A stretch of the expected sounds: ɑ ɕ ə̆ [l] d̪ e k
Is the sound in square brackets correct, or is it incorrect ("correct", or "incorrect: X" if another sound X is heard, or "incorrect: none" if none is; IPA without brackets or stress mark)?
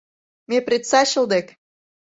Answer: correct